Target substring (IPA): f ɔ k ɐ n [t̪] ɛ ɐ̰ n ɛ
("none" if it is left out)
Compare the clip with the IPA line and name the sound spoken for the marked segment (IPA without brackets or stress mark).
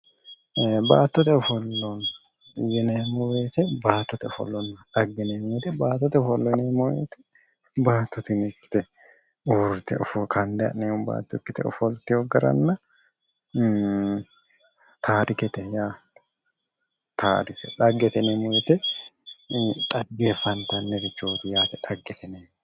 d̪